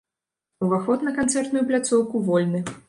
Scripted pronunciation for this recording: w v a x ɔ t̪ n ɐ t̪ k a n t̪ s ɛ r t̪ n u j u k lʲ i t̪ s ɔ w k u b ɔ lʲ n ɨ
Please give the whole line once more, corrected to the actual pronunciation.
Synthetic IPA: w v a x ɔ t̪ n ɐ k a n t̪ s ɛ r t̪ n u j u p lʲ a t̪ s ɔ w k u v ɔ lʲ n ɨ